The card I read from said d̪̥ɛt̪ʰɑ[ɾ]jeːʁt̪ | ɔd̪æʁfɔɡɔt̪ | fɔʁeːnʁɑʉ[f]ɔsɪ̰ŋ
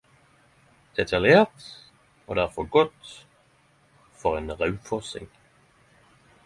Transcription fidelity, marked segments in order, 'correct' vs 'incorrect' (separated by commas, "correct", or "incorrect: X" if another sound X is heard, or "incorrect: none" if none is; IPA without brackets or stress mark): incorrect: l, correct